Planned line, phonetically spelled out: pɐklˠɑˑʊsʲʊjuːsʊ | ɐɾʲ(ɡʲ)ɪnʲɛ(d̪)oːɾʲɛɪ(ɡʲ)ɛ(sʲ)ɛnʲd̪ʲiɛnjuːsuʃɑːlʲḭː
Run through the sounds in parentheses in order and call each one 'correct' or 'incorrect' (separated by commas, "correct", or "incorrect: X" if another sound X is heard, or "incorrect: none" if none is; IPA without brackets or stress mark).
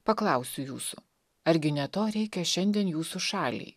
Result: correct, incorrect: t̪, incorrect: kʲ, incorrect: ʃʲ